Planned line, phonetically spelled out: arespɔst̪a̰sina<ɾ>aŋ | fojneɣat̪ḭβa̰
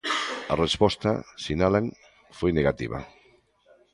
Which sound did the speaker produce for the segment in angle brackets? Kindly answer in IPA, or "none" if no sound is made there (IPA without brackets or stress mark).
l